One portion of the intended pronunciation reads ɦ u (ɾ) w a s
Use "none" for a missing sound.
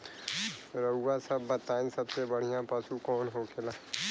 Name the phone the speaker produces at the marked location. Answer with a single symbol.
none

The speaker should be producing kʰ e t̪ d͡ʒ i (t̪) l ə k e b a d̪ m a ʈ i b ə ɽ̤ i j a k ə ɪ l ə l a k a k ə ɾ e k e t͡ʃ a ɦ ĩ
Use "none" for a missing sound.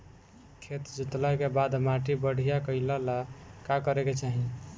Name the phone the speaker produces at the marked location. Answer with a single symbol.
t̪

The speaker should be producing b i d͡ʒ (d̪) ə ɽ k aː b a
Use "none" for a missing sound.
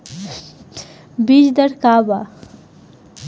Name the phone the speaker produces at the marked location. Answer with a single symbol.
d̪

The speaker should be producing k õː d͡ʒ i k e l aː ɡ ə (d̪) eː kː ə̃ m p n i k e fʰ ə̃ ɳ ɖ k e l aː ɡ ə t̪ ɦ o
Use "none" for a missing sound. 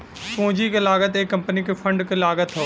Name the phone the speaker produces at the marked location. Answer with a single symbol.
t̪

